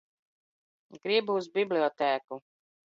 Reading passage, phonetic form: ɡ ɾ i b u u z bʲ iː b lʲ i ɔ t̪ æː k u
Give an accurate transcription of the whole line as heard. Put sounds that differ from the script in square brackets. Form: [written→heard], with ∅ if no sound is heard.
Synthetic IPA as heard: ɡ ɾ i b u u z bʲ [iː→i] b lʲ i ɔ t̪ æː k u